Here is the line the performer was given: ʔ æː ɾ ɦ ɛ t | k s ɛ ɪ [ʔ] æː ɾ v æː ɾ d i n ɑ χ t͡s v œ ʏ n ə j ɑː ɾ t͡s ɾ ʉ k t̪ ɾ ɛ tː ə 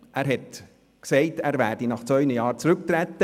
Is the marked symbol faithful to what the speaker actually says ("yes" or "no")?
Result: no